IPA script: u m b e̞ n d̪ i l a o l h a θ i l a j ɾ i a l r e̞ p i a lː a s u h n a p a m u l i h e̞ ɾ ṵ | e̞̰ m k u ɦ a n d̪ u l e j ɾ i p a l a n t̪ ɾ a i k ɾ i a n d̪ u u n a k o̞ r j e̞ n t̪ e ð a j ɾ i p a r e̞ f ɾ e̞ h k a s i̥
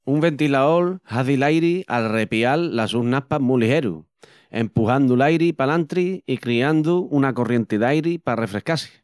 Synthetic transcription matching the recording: u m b e̞ n t̪ i l a o l h a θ i l a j ɾ i a l r e̞ p i a lː a s u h n a p a m u l i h e̞ ɾ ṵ | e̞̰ m p u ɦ a n d̪ u l a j ɾ i p a l a n t̪ ɾ i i k ɾ i a n d̪ u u n a k o̞ r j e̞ n t̪ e ð a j ɾ i p a r e̞ f ɾ e̞ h k a s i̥

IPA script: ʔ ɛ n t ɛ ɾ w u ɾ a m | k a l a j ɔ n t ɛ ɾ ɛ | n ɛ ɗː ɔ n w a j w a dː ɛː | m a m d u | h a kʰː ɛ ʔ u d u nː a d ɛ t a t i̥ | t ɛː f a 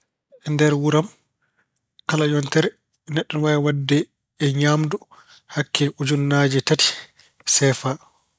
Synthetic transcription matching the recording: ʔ ɛ n d ɛ ɾ w u ɾ a m | k a l a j ɔ n t ɛ ɾ ɛ | n ɛ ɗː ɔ n w a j w a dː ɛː | ɲ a m d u | h a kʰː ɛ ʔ u d͡ʒ u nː a d͡ʒ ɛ t a t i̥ | s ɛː f a

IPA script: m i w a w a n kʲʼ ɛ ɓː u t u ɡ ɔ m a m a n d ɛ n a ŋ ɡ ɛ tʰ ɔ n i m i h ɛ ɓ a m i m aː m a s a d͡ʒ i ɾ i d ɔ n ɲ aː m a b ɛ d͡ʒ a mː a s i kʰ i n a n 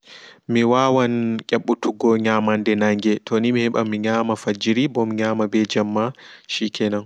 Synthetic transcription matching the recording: m i w a w a n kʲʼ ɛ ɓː u t u ɡ ɔ ɲ a m a n d ɛ n a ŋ ɡ ɛ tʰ ɔ n i m i h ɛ ɓ a m i ɲ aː m a f a d͡ʒ i ɾ i b ɔ m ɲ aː m a b ɛ d͡ʒ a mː a ʃ i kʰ ɛ n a n

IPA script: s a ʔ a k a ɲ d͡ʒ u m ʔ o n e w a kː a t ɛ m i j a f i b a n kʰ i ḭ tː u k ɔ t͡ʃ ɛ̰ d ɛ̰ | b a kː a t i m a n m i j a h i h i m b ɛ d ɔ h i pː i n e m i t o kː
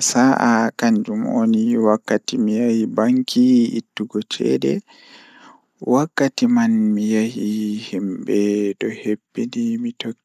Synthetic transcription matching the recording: s a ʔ a k a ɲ d͡ʒ u m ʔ o n i w a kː a t i m i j a h i b a ŋ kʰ i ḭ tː u ɡ ɔ t͡ʃ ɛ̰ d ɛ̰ | w a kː a t i m a n m i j a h i h i m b ɛ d ɔ h e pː i n i m i t o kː

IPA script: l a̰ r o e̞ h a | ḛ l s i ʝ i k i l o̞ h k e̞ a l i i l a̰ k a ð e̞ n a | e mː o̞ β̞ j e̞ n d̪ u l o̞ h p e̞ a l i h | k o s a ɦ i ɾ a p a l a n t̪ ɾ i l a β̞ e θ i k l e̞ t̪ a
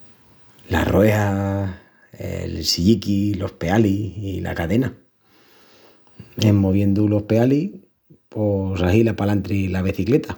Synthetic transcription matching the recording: l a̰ r o e̞ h a | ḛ l s i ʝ i k i l o̞ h p e̞ a l i i l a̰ k a ð e̞ n a | e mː o̞ β̞ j e̞ n d̪ u l o̞ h p e̞ a l i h | p o s a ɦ i l a p a l a n t̪ ɾ i l a β̞ e θ i k l e̞ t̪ a

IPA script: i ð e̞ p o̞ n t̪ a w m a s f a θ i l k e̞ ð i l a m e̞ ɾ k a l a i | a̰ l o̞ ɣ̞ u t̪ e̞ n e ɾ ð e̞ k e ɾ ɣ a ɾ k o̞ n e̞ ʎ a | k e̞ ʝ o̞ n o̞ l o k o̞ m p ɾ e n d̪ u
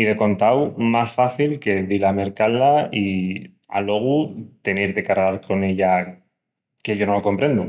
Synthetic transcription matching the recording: i ð e̞ k o̞ n t̪ a w m a s f a θ i l k e̞ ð i l a m e̞ ɾ k a l a i | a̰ l o̞ ɣ̞ u t̪ e̞ n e ɾ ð e̞ k a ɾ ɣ a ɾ k o̞ n e̞ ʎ a | k e̞ ʝ o̞ n o̞ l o k o̞ m p ɾ e n d̪ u

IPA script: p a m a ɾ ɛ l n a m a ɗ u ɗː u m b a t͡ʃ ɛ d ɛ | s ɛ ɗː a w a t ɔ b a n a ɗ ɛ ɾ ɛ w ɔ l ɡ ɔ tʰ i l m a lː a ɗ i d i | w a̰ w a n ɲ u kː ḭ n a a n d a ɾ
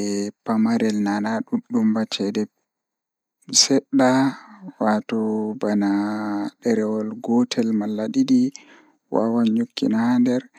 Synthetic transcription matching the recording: p a m a ɾ ɛ l n a n a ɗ u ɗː u m b a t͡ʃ ɛ d ɛ | s ɛ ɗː a w a t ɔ b a n a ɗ ɛ ɾ ɛ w ɔ l ɡ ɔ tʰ ɛ l m a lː a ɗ i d i | w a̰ w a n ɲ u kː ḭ n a a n d ɛ ɾ

